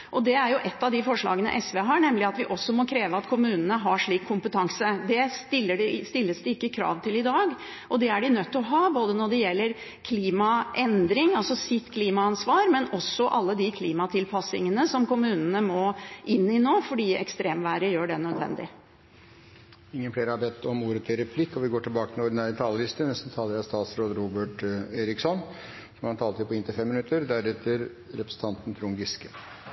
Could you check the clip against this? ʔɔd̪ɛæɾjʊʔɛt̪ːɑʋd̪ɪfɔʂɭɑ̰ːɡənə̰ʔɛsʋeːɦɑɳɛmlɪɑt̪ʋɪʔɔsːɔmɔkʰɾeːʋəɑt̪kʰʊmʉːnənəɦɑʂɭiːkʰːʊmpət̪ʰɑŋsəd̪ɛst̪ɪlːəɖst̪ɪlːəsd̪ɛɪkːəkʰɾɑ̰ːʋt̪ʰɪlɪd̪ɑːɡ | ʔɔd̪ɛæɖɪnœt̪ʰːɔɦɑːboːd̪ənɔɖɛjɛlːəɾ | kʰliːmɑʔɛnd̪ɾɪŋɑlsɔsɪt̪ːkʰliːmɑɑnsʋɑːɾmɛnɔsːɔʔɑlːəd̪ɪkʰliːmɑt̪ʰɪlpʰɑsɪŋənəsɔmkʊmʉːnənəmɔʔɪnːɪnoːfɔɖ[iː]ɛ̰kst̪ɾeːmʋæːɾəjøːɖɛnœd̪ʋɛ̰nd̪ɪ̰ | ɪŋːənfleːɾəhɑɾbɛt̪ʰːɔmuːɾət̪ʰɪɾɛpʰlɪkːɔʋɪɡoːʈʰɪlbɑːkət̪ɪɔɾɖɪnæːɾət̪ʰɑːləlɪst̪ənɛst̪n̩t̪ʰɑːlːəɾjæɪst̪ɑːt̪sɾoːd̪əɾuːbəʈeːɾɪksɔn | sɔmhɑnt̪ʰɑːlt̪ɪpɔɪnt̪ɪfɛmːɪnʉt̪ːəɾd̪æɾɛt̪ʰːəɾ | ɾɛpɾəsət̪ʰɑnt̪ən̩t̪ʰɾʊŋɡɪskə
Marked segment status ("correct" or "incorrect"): correct